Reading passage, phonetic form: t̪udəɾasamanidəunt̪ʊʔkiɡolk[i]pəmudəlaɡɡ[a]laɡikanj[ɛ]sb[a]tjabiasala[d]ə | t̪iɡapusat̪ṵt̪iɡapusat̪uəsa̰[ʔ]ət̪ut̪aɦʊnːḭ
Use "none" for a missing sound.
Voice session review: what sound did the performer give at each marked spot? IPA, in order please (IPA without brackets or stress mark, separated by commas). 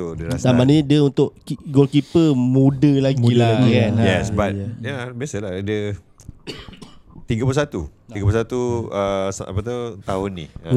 i, i, ɛ, a, d, p